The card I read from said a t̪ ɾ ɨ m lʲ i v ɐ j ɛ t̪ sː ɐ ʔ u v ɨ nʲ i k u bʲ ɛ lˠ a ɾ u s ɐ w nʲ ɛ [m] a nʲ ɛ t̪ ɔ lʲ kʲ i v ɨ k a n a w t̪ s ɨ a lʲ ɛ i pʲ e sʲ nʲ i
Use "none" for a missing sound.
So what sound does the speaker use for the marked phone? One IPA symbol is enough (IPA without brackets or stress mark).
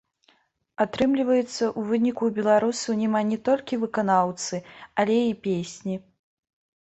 m